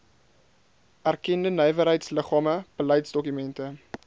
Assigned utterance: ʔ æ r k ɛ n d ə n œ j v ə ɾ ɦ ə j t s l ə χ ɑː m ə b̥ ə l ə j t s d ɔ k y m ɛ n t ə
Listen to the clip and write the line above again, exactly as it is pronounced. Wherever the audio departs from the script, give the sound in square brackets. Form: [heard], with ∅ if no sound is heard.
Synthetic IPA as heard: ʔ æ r k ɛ n d ə n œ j v ə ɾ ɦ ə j t s l ə χ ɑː m ə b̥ ə l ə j t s d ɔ k y m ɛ n t ə